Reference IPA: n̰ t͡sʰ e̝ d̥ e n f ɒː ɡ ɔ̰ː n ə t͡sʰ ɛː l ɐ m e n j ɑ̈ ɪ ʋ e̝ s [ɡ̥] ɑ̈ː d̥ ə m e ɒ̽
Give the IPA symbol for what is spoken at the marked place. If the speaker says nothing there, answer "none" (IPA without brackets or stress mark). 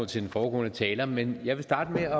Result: d̥